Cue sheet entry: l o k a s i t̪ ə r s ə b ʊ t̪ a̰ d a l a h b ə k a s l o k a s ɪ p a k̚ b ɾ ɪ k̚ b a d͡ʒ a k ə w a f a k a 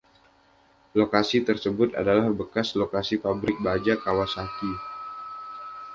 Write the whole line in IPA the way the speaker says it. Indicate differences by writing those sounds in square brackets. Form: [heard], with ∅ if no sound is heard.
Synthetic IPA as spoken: l o k a s i t̪ ə r s ə b ʊ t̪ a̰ d a l a h b ə k a s l o k a s [i] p a [∅] b ɾ ɪ k̚ b a d͡ʒ a k [a] w a [s] a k [i]